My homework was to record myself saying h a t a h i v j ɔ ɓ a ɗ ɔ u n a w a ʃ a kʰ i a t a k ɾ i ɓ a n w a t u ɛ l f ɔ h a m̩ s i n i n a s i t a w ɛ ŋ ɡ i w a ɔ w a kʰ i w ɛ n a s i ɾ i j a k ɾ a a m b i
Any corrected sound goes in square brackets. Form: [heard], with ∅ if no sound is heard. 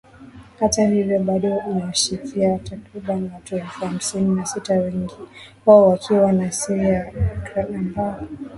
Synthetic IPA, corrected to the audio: h a t a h i v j ɔ ɓ a ɗ ɔ u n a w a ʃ [i] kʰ i a t a k ɾ i ɓ a n w a t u ɛ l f [u] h a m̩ s i n i n a s i t a w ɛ ŋ ɡ i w a ɔ w a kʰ i w [a] n a s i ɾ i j a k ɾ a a m b [a]